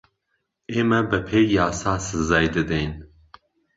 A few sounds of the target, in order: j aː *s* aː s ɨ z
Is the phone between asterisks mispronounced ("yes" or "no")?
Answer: no